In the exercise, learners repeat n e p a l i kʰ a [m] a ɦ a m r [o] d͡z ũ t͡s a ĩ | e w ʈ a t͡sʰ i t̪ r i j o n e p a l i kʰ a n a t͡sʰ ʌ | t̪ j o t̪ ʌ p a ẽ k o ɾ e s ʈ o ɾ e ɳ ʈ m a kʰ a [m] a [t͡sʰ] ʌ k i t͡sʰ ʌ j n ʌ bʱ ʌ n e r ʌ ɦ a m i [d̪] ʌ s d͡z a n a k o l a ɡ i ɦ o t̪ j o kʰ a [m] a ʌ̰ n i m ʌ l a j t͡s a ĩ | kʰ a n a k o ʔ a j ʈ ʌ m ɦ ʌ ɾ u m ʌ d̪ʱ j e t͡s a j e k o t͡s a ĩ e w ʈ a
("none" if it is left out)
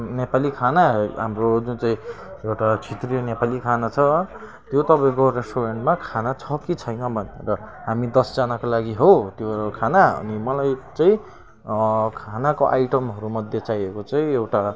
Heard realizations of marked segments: n, o, n, t͡sʰ, d̪, n

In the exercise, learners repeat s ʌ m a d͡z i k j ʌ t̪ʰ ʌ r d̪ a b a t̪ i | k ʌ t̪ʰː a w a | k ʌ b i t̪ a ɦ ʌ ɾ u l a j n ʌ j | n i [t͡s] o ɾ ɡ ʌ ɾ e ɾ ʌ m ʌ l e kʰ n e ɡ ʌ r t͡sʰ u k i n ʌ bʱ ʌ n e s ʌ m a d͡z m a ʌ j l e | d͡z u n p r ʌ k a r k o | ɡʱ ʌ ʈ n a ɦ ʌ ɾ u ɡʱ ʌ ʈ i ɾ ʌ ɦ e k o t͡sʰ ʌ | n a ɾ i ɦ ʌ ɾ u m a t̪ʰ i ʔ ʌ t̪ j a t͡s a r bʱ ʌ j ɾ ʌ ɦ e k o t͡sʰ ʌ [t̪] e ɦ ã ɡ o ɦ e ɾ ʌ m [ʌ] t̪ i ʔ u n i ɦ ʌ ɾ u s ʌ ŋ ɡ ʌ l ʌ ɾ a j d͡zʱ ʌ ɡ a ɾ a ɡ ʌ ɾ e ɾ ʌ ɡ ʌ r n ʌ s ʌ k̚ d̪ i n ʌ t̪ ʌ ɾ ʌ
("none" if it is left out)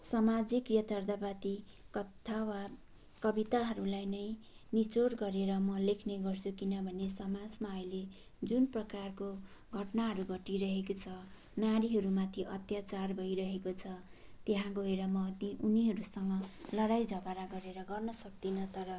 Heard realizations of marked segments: t͡s, t̪, ʌ

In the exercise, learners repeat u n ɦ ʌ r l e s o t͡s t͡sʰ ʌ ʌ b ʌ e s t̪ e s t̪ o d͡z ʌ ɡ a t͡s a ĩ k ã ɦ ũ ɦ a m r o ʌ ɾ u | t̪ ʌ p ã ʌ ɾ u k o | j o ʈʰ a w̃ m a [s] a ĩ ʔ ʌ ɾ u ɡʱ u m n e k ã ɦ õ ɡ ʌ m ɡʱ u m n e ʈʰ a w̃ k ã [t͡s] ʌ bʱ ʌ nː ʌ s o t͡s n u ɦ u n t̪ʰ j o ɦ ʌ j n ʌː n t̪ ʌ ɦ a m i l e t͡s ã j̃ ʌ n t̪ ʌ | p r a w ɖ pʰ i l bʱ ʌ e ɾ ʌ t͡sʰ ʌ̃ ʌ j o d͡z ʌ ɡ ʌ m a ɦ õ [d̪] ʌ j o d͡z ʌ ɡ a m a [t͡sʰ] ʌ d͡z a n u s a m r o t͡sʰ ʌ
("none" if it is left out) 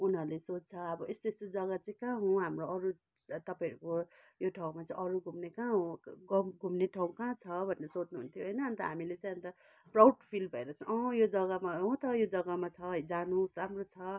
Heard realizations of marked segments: t͡s, t͡sʰ, t̪, t͡sʰ

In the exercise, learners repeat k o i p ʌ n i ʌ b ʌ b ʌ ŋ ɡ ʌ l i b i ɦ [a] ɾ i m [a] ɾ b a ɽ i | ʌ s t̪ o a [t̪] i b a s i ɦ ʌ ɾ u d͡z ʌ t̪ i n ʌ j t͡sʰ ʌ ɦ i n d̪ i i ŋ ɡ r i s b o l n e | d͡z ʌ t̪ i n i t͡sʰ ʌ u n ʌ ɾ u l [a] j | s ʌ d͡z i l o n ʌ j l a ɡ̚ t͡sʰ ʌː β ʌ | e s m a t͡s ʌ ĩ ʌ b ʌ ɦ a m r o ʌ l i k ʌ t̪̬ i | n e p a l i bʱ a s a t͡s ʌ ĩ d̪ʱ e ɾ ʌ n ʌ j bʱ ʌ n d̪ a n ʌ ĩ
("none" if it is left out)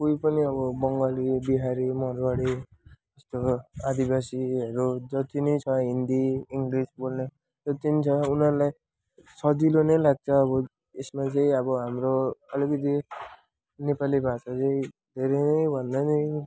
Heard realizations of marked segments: a, ʌ, d̪, a

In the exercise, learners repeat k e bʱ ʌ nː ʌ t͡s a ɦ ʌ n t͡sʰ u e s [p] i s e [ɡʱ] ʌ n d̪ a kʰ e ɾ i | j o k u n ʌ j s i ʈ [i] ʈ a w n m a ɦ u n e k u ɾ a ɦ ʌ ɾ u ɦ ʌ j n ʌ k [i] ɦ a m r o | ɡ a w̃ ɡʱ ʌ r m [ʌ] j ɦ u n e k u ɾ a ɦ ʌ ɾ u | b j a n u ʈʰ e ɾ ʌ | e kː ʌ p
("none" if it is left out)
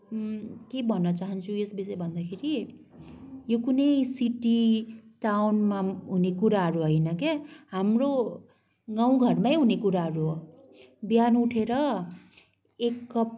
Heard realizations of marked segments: b, bʱ, i, e, a

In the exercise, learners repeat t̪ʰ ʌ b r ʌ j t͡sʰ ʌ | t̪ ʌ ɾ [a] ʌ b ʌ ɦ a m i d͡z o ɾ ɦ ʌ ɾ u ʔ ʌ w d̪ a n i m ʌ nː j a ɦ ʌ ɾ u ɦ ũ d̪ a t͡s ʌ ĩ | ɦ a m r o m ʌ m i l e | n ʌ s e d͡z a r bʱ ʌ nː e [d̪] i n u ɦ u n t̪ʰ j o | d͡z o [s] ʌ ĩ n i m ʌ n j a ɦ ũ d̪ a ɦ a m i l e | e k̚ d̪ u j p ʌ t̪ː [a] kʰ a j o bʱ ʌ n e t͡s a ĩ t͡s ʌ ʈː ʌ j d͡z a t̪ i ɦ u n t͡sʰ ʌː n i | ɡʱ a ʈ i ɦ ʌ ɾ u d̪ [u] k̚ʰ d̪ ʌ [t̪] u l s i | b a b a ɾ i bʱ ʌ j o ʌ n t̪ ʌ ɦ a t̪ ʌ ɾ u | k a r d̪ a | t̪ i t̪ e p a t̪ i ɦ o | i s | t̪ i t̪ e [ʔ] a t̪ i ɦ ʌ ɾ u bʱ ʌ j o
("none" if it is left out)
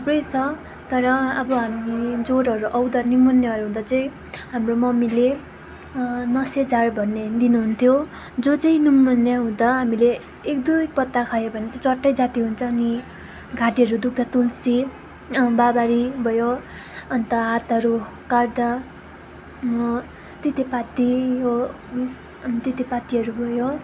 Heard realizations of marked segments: ʌ, d̪, t͡s, a, u, t̪, p

